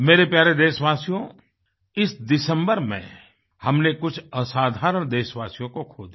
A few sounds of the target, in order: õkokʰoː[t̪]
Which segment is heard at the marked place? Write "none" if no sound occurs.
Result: d̪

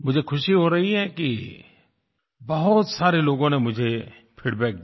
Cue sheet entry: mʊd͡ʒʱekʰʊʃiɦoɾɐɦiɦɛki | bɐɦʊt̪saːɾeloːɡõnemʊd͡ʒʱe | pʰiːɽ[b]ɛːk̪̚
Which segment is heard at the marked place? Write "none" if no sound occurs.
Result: b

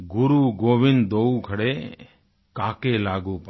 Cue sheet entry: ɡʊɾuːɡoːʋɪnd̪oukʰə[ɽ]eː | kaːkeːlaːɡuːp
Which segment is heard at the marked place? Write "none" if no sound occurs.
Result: ɽ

